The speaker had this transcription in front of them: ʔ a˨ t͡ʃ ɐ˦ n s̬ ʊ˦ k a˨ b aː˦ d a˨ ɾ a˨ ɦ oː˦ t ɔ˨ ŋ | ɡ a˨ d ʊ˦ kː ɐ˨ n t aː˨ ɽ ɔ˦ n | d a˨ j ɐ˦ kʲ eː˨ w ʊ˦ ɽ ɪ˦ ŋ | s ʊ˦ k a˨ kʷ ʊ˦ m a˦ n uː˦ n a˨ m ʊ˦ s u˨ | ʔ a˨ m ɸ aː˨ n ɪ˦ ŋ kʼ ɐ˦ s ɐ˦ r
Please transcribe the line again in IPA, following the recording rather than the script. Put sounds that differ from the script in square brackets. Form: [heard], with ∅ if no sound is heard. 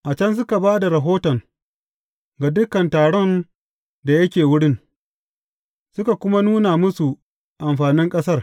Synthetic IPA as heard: ʔ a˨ t͡ʃ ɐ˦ n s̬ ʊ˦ k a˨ b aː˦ d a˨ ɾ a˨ ɦ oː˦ t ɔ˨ ŋ | ɡ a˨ d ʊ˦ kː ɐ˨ n t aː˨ ɽ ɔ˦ n | d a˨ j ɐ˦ kʲ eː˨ w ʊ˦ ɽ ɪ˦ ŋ | s ʊ˦ k a˨ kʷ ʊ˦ m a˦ n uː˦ n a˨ m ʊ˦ s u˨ | ʔ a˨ m ɸ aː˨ n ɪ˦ ŋ kʼ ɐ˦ s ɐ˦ r

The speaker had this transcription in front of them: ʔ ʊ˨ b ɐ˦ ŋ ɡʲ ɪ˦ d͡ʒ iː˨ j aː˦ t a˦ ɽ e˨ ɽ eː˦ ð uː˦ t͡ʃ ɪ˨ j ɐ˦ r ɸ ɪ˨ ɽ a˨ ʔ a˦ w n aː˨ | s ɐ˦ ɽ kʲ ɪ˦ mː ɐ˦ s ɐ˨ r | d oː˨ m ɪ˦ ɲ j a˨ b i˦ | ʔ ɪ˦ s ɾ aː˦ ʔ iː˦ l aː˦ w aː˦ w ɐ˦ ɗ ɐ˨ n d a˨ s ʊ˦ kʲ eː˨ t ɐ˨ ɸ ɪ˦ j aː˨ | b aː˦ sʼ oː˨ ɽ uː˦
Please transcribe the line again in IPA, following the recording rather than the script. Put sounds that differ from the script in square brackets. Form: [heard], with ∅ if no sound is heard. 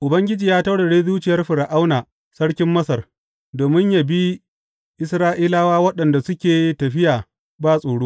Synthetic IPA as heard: ʔ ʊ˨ b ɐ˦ ŋ ɡʲ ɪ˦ d͡ʒ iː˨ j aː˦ t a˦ ɽ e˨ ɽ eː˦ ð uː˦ t͡ʃ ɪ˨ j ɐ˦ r ɸ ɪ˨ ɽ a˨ ʔ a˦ w n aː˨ | s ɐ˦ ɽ kʲ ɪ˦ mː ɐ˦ s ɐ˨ r | d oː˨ m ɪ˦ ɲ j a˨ b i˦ | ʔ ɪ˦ s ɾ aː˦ ʔ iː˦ l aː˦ w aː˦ w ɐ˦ ɗ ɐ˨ n d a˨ s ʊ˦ kʲ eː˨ t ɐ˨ ɸ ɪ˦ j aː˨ | b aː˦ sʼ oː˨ ɽ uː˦

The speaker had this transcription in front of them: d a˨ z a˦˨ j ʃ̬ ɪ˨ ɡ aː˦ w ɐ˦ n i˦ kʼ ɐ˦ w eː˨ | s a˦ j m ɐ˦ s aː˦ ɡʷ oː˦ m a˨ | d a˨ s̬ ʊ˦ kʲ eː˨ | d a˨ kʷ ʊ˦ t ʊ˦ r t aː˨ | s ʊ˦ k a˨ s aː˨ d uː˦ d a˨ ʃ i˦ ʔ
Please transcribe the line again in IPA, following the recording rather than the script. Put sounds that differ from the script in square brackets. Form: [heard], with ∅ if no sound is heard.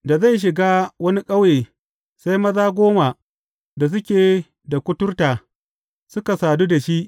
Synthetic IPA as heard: d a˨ z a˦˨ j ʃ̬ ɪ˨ ɡ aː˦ w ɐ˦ n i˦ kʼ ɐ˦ w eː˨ | s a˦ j m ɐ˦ [z] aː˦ ɡʷ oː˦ m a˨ | d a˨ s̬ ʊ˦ kʲ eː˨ | d a˨ kʷ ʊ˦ t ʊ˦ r t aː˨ | s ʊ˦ k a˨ s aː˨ d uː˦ d a˨ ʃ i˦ ʔ

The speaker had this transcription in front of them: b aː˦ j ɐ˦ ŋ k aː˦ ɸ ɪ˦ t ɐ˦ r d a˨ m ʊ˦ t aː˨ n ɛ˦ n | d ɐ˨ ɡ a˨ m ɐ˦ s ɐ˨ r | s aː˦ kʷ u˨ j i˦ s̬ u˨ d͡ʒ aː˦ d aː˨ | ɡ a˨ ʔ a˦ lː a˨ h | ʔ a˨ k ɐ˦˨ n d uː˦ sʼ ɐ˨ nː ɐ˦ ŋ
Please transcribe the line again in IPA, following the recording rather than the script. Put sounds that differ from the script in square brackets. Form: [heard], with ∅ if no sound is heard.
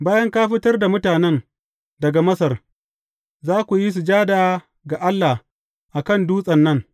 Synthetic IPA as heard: b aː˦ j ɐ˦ ŋ k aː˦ ɸ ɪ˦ t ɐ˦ r d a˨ m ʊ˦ t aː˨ n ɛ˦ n | d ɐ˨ ɡ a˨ m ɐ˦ s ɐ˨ r | [z] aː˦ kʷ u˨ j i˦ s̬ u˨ d͡ʒ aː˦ d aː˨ | ɡ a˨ ʔ a˦ lː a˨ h | ʔ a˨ k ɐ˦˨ n d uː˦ sʼ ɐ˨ nː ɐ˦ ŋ

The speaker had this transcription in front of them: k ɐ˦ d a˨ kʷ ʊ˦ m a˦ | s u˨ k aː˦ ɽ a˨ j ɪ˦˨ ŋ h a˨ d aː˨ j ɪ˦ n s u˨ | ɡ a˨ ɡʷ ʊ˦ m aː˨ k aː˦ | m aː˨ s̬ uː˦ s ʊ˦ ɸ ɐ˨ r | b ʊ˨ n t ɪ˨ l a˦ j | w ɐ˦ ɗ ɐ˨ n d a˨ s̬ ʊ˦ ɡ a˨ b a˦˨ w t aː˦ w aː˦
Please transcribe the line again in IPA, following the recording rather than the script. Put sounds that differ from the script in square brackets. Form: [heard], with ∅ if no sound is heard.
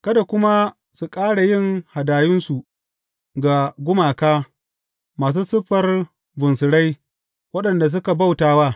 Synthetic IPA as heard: k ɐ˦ d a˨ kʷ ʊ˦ m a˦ | s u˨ [kʼ] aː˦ ɽ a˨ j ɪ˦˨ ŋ h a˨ d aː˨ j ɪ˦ n s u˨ | ɡ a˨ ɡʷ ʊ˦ m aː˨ k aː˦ | m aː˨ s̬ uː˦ s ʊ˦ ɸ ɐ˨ r | b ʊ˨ n [s] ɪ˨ [ɽ] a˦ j | w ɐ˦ ɗ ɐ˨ n d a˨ s̬ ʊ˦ [k] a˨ b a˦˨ w t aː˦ w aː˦

